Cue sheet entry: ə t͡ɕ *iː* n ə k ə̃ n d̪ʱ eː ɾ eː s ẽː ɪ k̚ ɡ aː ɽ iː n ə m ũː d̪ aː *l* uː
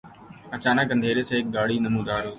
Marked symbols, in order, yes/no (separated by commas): no, no